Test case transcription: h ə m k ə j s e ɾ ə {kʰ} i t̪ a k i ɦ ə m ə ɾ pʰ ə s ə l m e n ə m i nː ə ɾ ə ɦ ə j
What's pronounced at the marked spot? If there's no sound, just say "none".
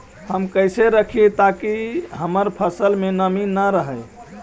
kʰ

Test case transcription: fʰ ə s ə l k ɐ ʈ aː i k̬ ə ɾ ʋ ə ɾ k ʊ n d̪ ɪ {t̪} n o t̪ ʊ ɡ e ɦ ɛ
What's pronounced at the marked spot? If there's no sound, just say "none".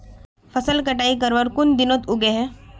none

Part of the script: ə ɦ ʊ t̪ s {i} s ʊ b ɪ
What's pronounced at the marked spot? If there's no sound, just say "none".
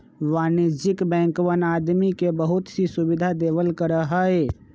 i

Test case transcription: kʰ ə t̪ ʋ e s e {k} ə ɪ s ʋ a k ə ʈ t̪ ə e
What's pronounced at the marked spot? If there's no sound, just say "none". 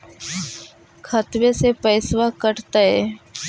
p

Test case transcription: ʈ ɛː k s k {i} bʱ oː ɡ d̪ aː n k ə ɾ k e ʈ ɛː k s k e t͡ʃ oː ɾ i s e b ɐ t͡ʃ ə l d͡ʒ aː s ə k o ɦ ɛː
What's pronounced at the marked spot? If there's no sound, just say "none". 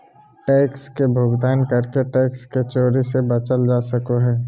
e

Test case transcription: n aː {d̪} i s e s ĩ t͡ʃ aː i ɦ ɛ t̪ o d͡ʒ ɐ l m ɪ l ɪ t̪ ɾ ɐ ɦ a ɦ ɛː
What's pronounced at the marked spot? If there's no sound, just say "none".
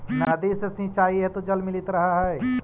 d̪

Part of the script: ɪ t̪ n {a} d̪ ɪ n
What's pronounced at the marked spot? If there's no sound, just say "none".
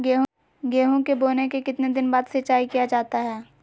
e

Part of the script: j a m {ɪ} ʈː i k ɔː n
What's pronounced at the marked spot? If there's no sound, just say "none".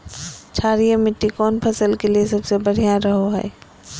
ɪ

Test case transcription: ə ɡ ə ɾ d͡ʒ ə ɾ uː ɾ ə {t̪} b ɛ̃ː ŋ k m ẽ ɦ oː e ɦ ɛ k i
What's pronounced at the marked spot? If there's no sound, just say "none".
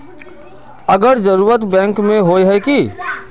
t̪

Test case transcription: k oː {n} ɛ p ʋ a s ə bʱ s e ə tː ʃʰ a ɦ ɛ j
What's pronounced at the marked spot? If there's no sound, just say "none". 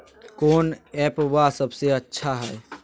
n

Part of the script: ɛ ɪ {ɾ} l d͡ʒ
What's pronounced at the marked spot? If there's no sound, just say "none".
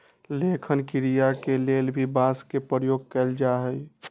none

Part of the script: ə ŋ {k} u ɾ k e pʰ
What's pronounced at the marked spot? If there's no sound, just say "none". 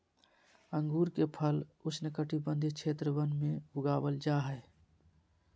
ɡ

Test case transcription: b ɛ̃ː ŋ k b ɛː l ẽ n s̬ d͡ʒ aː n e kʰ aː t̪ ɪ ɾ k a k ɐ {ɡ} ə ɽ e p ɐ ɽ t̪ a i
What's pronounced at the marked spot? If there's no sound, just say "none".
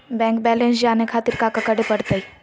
k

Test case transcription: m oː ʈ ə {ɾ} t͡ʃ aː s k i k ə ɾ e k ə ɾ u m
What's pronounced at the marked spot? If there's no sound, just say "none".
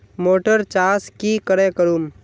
ɾ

